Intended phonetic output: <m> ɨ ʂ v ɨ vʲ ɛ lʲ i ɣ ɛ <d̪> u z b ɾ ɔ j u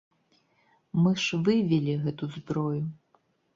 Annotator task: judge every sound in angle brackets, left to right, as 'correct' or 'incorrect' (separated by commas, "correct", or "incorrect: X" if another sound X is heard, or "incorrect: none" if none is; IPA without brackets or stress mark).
correct, incorrect: t̪